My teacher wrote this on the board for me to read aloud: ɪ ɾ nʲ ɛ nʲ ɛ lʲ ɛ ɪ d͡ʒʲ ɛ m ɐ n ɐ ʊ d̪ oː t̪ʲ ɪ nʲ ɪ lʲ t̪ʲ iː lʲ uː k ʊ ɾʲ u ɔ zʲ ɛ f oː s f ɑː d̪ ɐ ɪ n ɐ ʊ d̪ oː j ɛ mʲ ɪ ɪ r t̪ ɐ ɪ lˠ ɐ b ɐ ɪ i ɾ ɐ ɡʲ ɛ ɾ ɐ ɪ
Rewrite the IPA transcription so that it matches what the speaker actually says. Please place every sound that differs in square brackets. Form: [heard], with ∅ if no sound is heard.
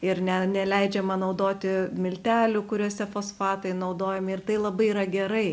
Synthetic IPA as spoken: ɪ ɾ nʲ ɛ nʲ ɛ lʲ ɛ ɪ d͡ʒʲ ɛ m ɐ n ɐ ʊ d̪ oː t̪ʲ ɪ [mʲ] ɪ lʲ t̪ʲ [æː] lʲ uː k ʊ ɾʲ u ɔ [sʲ] ɛ f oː s f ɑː [t̪] ɐ ɪ n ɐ ʊ d̪ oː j ɛ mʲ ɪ ɪ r t̪ ɐ ɪ lˠ ɐ b ɐ ɪ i ɾ ɐ ɡʲ ɛ ɾ ɐ ɪ